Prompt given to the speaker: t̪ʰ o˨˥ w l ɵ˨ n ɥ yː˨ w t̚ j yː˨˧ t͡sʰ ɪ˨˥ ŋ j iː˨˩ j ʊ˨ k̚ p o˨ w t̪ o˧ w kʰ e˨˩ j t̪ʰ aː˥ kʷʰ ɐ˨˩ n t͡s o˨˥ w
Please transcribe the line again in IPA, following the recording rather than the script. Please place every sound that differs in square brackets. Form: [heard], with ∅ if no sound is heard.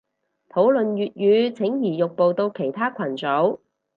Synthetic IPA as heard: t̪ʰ o˨˥ w l ɵ˨ n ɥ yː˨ [∅] t̚ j yː˨˧ t͡sʰ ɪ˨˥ ŋ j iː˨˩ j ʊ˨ k̚ p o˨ w t̪ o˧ w kʰ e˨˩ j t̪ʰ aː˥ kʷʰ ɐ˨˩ n t͡s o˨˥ w